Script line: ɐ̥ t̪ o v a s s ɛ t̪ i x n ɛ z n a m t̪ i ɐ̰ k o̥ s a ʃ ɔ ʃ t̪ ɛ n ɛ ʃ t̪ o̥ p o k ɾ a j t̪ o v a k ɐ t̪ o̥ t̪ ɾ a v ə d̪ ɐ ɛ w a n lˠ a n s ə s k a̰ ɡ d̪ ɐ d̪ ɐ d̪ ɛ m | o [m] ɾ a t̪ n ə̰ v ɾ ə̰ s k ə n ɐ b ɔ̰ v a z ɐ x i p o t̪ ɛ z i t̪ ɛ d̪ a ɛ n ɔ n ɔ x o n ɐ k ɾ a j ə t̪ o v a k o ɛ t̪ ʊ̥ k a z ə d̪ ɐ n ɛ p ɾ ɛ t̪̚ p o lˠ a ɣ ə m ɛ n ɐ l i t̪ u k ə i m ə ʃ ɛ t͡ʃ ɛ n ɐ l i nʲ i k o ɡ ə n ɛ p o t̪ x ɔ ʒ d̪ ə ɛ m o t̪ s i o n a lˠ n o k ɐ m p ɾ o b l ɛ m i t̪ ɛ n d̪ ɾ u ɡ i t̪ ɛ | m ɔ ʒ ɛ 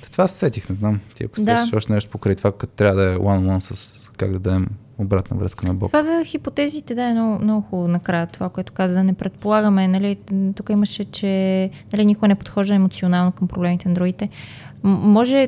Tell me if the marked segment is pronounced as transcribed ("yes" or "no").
no